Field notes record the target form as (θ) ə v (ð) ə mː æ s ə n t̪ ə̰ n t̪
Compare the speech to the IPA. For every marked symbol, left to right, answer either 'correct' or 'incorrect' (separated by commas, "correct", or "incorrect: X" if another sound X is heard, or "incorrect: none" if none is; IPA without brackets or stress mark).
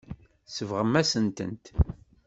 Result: incorrect: s, incorrect: ʁ